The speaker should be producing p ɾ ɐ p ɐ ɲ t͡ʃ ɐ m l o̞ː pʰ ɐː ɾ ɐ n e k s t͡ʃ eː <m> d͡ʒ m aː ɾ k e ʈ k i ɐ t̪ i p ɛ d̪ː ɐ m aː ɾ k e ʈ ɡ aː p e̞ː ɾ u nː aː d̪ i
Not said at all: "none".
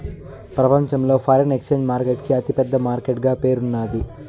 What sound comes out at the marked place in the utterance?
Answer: ɲ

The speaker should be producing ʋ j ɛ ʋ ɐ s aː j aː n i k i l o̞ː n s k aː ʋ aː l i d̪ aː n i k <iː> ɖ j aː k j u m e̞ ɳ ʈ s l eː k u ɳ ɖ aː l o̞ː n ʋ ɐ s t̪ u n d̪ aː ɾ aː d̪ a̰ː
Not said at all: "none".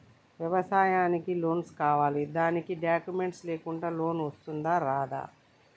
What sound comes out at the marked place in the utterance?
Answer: i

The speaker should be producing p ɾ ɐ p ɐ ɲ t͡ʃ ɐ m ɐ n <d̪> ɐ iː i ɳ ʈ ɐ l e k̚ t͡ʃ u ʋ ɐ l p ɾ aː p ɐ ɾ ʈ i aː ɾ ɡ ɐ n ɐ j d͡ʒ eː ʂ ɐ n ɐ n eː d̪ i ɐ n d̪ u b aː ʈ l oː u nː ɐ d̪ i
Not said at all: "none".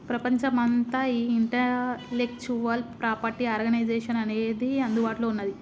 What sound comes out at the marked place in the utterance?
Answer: t̪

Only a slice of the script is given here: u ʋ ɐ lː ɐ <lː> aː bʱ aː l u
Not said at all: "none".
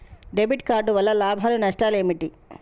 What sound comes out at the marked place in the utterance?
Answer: l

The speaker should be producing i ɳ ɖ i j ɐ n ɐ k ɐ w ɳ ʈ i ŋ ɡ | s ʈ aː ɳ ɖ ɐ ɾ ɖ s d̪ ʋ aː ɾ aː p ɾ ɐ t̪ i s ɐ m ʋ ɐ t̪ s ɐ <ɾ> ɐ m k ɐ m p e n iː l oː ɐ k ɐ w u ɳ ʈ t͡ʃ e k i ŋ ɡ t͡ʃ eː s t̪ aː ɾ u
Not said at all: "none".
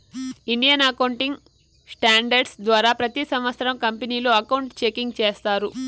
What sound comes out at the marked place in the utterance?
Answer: ɾ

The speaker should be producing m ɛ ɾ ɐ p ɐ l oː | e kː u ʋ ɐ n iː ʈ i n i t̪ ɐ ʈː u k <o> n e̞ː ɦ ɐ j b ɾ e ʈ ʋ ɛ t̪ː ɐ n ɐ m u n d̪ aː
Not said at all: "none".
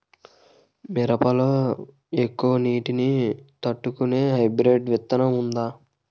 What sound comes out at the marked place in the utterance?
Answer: u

